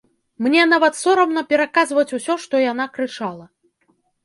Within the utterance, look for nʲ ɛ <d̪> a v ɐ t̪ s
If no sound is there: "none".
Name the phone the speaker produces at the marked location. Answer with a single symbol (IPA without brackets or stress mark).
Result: n̪